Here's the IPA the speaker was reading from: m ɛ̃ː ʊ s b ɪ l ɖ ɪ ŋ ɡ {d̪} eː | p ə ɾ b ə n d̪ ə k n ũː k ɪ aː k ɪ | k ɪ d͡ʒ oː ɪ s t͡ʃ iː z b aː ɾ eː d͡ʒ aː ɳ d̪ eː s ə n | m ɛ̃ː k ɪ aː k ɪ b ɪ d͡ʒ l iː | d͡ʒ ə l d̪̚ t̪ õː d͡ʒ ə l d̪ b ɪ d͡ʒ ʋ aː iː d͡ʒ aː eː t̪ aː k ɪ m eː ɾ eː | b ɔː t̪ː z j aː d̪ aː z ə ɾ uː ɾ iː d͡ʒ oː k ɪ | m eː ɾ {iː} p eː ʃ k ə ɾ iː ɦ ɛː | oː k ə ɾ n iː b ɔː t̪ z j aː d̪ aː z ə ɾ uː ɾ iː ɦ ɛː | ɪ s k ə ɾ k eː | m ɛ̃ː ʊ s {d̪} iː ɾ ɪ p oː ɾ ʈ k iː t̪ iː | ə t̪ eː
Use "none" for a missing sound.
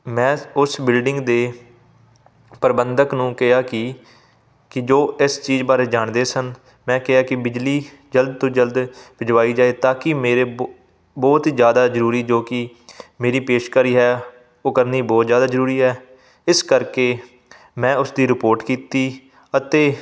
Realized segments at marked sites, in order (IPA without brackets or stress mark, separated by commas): d̪, iː, d̪